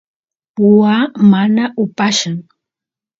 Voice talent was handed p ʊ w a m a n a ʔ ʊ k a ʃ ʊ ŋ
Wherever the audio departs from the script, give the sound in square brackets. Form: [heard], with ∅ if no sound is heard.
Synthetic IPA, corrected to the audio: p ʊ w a m a n a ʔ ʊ [p] a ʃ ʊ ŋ